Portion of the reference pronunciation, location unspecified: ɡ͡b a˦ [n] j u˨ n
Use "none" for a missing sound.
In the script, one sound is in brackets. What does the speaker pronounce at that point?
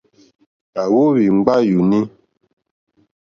none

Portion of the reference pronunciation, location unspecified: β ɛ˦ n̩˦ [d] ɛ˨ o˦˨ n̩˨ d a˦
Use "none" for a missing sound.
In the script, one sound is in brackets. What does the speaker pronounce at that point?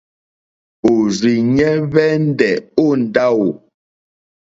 d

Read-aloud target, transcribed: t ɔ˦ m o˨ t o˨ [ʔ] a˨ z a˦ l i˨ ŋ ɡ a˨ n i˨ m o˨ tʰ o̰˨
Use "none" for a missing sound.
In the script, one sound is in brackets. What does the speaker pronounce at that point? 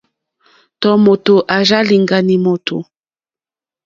ʔ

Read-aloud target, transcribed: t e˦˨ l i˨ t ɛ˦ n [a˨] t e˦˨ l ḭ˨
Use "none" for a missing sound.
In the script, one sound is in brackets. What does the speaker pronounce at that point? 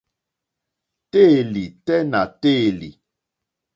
a˨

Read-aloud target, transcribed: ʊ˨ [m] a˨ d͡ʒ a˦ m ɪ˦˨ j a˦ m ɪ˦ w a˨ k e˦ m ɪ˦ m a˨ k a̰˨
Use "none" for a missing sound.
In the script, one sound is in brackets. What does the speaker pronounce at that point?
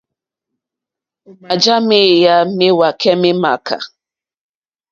m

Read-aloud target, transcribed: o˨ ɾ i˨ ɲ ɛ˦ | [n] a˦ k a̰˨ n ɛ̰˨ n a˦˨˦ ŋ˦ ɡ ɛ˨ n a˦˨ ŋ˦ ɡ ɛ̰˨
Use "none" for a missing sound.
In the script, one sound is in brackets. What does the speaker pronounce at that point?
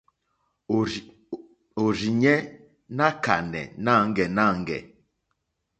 n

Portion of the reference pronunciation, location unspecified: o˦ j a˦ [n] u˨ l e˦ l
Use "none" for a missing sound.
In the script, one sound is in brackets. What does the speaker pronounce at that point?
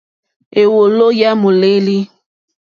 m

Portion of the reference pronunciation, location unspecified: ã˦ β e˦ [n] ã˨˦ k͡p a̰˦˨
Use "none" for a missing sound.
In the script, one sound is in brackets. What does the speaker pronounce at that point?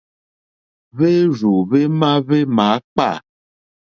m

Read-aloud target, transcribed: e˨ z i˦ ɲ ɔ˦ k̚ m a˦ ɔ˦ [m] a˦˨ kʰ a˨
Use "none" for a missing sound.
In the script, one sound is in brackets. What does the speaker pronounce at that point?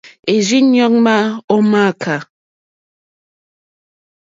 m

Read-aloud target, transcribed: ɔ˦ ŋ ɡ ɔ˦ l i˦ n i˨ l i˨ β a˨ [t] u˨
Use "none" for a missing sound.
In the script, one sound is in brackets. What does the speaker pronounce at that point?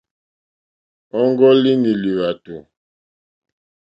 t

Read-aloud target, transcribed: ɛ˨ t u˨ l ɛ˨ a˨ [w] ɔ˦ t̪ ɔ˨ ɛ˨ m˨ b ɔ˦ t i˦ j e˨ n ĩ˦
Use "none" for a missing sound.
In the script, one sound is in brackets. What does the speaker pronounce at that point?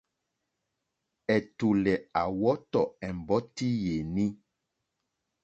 w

